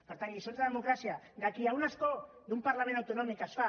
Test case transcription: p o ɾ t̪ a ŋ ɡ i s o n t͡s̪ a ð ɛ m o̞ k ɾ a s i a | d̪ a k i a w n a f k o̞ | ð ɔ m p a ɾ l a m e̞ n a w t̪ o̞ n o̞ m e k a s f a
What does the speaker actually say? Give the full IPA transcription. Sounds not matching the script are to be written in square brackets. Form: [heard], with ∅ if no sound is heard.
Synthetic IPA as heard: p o ɾ t̪ a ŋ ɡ i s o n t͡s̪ a ð [e] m o̞ k ɾ a s i a | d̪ a k i a w n a [s] k o̞ | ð [u] m p a ɾ l a m e̞ n a w t̪ o̞ n o̞ m [i] k a s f a